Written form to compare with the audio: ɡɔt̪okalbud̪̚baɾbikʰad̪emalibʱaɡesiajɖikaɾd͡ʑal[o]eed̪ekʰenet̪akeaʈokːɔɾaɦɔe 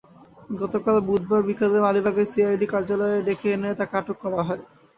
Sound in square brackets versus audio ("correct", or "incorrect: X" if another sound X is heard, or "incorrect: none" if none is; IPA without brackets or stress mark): incorrect: ɔ